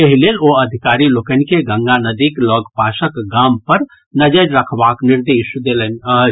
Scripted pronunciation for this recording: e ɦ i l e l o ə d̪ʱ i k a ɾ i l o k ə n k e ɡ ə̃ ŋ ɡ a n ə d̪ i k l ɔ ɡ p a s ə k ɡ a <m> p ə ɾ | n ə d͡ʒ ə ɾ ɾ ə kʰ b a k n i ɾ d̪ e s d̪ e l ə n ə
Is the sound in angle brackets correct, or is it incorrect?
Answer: correct